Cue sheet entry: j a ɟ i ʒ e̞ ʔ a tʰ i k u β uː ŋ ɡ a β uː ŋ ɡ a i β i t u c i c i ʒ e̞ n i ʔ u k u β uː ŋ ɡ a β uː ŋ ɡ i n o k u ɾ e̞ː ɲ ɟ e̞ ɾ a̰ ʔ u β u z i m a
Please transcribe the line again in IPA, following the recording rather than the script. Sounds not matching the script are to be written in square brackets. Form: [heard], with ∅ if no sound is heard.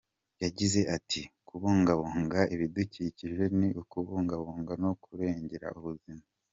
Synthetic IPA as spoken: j a ɟ i [z] e̞ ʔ a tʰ i k u β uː ŋ ɡ a β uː ŋ ɡ a i β i [d] u c i c i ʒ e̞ n i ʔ u k u β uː ŋ ɡ a β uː ŋ ɡ [a] n o k u ɾ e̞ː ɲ ɟ e̞ ɾ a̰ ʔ u β u z i m a